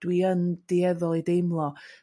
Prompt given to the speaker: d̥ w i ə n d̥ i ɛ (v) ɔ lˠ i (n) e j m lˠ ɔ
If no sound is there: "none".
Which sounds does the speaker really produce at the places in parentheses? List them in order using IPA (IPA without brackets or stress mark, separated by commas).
ð, d